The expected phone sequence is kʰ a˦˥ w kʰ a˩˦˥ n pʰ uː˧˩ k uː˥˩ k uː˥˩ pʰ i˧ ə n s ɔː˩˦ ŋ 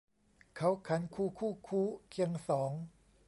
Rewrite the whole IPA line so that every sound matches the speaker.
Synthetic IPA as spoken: kʰ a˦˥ w kʰ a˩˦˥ n kʰ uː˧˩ kʰ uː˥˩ kʰ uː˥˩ kʰ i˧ ə ŋ s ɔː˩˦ ŋ